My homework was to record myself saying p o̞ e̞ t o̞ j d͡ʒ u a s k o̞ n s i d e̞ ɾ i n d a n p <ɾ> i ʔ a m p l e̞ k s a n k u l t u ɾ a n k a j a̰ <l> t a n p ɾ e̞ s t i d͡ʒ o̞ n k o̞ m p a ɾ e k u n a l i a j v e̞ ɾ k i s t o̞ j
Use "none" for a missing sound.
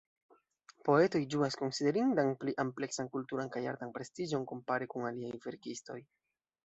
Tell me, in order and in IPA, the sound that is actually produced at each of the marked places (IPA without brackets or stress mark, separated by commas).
l, ɾ